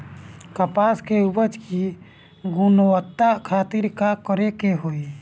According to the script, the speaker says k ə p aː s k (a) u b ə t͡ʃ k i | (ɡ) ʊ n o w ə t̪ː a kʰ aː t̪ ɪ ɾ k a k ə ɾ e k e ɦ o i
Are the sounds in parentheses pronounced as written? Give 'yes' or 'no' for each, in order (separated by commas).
no, yes